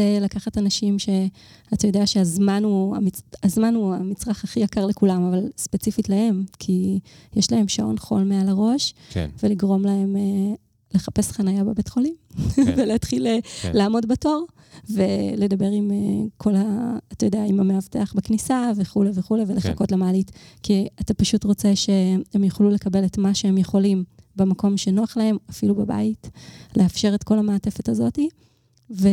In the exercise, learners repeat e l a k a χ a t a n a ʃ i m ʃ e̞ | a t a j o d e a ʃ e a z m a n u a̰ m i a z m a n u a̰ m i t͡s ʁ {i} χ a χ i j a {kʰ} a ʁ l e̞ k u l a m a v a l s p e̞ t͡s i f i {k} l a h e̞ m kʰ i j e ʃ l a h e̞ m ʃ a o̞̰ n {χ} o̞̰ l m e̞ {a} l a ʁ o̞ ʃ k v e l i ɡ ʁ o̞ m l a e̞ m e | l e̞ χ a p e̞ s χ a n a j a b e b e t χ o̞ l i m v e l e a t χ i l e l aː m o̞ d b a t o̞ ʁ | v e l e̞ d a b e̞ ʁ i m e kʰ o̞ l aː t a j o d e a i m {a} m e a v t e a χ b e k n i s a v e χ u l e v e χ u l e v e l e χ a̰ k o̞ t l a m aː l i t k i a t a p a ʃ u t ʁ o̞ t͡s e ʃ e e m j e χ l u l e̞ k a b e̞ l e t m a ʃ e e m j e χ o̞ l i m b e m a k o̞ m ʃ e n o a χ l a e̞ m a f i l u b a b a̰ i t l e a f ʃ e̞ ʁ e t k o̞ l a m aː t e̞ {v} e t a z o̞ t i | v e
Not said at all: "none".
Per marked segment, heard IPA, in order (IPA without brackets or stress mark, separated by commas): a, k, t, χ, a, a, f